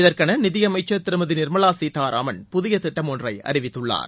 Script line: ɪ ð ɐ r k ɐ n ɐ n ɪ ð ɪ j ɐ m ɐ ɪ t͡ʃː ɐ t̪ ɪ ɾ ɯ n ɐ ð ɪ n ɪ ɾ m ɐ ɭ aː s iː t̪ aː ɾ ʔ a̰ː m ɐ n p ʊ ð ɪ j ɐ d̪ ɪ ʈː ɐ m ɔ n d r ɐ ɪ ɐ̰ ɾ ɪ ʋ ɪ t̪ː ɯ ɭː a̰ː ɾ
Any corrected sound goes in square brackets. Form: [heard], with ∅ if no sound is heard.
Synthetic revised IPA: ɪ ð ɐ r k ɐ n ɐ n ɪ ð ɪ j ɐ m ɐ ɪ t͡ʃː ɐ t̪ ɪ ɾ ɯ [m] ɐ ð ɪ n ɪ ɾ m ɐ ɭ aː s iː t̪ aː ɾ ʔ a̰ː m ɐ n p ʊ ð ɪ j ɐ [t̪] ɪ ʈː ɐ m ɔ n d r ɐ ɪ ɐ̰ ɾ ɪ ʋ ɪ t̪ː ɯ ɭː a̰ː ɾ